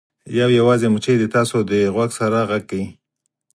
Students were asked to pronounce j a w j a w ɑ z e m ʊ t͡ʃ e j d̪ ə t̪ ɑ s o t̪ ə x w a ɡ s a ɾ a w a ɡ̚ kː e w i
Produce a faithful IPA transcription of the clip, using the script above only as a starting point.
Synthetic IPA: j a w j a w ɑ z e m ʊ t͡ʃ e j d̪ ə t̪ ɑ s o d̪ ə ɣ w a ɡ s a ɾ a ɣ a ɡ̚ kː a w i